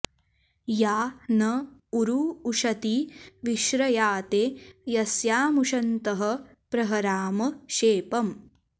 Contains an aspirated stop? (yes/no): no